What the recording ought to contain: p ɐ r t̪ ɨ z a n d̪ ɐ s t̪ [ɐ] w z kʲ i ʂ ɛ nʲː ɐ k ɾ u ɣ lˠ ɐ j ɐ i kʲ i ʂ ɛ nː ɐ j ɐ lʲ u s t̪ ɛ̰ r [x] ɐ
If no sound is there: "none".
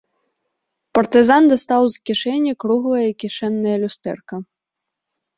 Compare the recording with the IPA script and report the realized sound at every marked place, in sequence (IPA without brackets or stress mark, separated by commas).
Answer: a, k